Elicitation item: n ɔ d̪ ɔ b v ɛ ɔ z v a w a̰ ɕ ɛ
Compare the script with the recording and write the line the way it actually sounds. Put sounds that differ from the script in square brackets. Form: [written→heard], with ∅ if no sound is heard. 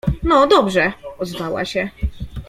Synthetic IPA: n ɔ d̪ ɔ b [v→ʐ] ɛ ɔ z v a w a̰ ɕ ɛ